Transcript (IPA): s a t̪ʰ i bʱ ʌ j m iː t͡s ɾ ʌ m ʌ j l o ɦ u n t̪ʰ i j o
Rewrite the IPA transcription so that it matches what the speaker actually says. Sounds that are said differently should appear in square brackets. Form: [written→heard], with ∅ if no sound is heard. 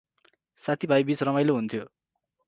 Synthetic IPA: s a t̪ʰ i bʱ [ʌ→a] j [m→b] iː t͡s ɾ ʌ m [ʌ→a] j l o ɦ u n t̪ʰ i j o